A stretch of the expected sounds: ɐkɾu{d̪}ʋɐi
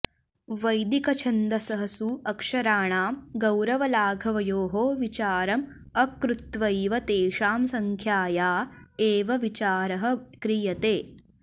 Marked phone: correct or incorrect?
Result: incorrect